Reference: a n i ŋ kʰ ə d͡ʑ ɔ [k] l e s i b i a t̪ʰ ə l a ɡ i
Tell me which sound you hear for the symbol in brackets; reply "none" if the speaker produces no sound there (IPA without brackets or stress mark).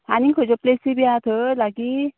p